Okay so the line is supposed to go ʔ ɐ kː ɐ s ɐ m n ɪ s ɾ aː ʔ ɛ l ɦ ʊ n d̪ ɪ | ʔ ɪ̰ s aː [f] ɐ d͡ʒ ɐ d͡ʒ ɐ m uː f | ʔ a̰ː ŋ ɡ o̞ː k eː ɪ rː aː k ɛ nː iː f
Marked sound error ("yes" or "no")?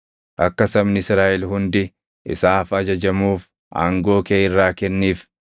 no